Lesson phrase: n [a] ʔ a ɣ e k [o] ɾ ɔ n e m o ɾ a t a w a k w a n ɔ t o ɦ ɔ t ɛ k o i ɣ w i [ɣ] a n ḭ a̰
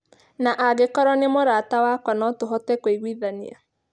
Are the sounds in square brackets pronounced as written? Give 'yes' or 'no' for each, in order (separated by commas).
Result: yes, no, no